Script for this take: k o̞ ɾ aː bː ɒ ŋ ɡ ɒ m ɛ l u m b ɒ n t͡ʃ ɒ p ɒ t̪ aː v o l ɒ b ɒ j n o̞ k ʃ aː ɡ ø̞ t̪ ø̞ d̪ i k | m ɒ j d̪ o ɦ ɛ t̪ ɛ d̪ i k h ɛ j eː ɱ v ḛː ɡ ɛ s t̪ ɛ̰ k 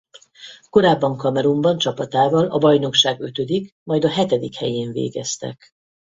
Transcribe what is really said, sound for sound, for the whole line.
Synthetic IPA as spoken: k o̞ ɾ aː bː ɒ ŋ k ɒ m ɛ ɾ u m b ɒ n t͡ʃ ɒ p ɒ t̪ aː v ɒ l ɒ b ɒ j n o̞ k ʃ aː ɡ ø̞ t̪ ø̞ d̪ i k | m ɒ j d̪ ɒ ɦ ɛ t̪ ɛ d̪ i k h ɛ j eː ɱ v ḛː ɡ ɛ s t̪ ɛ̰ k